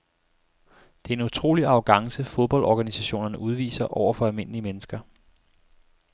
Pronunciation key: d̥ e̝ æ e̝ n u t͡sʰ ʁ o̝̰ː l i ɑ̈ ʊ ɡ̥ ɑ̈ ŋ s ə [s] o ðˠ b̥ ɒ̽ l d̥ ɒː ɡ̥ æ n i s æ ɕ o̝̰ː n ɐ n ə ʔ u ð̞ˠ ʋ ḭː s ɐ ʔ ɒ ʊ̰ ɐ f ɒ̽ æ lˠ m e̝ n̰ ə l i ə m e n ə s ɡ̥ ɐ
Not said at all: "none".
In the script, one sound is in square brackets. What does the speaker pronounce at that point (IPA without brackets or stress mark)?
f